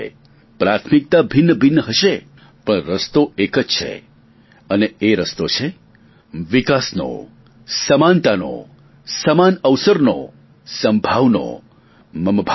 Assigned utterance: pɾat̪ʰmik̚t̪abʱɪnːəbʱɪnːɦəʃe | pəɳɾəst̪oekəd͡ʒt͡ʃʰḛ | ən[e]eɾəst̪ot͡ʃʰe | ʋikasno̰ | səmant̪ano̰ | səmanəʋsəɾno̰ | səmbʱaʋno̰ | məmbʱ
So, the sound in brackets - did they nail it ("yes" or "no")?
yes